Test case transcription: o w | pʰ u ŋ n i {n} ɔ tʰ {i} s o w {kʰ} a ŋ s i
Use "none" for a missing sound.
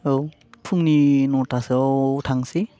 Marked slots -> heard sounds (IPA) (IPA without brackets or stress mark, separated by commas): n, a, tʰ